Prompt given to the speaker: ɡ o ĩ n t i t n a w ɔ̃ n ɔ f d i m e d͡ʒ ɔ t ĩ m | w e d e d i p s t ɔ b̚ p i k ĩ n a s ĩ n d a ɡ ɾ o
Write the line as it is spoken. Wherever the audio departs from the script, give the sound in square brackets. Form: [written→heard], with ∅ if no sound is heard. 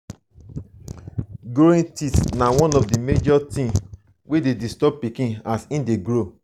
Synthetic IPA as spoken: ɡ o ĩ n t i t n a w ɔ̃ n ɔ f d i m e d͡ʒ ɔ t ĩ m | w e d e d i [p→∅] s t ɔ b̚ p i k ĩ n a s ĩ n d [a→e] ɡ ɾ o